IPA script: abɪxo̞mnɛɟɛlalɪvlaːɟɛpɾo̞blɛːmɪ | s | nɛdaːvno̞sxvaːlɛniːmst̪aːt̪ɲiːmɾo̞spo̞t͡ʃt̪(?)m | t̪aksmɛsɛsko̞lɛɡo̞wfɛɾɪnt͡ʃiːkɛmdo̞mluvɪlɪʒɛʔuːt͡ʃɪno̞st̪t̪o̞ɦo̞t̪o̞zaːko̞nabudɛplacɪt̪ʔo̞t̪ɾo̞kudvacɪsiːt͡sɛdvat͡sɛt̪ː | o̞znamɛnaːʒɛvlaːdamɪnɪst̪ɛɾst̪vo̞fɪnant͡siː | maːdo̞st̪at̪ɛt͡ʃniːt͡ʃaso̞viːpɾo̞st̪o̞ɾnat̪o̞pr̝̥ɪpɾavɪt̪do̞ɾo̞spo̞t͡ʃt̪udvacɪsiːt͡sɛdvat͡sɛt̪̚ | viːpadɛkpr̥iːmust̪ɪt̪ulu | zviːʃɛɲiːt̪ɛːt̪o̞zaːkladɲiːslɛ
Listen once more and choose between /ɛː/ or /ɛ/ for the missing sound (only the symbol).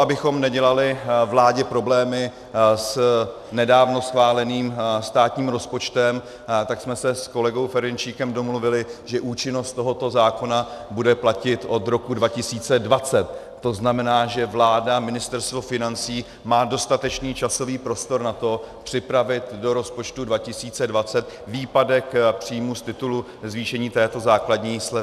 ɛ